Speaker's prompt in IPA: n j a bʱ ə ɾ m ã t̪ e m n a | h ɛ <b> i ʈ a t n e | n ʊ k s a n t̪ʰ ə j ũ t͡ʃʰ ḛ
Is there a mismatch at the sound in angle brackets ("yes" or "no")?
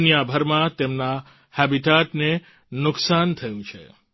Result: no